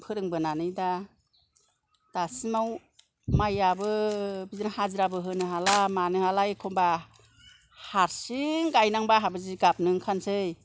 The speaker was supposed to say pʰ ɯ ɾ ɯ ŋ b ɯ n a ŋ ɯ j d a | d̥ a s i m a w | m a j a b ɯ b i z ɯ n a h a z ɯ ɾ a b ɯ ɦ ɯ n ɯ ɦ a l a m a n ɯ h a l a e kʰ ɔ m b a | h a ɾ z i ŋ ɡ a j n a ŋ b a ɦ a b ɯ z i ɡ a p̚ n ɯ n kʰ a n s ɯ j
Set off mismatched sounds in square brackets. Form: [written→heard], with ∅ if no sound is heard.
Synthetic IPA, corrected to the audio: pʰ ɯ ɾ ɯ ŋ b ɯ n a [ŋ→n] ɯ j d a | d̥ a s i m a w | m a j a b ɯ b i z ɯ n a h a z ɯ ɾ a b ɯ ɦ ɯ n ɯ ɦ a l a m a n ɯ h a l a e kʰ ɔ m b a | h a ɾ [z→s] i ŋ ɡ a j n a ŋ b a ɦ a b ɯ z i ɡ a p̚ n ɯ [n→ŋ] kʰ a n s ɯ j